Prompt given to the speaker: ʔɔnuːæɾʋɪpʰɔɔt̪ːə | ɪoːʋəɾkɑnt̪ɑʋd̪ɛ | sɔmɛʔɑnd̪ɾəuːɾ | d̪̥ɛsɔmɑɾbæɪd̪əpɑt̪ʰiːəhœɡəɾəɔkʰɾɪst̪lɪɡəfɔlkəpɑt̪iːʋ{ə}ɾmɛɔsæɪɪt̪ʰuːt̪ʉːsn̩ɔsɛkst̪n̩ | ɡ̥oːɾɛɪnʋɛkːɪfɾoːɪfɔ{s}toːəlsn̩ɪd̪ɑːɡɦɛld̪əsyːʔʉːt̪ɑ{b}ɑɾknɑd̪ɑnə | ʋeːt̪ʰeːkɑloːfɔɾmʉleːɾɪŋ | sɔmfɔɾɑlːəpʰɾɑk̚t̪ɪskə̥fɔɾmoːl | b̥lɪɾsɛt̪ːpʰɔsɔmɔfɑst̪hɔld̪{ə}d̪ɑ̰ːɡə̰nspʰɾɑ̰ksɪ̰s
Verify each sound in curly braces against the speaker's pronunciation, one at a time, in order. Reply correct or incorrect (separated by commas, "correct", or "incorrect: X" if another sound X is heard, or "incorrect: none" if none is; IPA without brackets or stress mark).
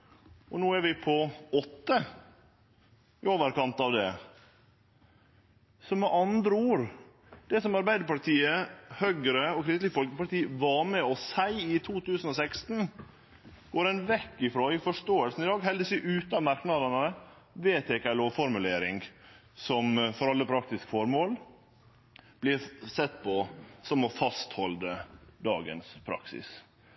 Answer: incorrect: ɑ, incorrect: ʂ, incorrect: m, correct